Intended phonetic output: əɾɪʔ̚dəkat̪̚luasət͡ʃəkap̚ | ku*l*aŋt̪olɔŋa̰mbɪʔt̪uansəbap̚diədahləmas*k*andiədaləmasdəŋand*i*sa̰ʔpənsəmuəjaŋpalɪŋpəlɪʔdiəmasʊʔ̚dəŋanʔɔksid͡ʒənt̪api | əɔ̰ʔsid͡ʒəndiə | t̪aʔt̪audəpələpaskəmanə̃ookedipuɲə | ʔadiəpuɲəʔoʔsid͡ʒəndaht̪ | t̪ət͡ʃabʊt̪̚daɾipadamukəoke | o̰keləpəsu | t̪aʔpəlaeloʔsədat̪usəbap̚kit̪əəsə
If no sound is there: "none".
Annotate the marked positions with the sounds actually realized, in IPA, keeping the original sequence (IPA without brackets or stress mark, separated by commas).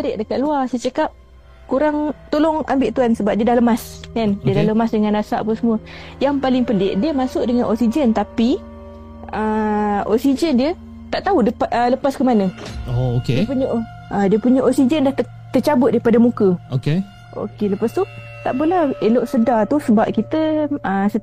ɾ, k, a